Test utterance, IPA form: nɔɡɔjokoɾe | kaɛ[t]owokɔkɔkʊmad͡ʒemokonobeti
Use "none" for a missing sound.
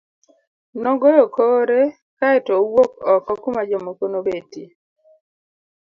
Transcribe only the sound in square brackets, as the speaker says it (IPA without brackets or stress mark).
t